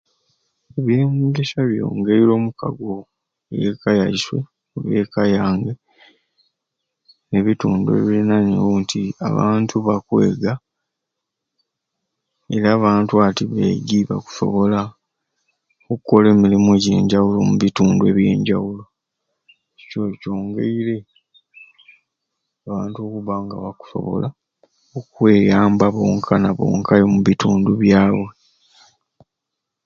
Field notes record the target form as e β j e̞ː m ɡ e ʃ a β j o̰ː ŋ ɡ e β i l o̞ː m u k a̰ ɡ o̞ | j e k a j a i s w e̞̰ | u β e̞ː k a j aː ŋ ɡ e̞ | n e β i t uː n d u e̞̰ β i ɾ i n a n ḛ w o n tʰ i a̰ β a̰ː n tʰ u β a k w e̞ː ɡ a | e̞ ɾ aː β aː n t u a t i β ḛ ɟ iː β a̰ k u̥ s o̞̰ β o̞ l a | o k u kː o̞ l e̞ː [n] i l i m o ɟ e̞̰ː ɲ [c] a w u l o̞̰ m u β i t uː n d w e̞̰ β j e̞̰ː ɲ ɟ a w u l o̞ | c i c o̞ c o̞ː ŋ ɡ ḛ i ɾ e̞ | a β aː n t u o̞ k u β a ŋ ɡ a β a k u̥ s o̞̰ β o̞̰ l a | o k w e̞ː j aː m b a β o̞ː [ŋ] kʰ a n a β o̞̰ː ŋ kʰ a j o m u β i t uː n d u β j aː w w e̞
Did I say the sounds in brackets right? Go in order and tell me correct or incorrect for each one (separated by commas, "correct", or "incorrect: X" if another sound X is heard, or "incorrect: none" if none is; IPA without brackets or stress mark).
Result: incorrect: m, incorrect: ɟ, correct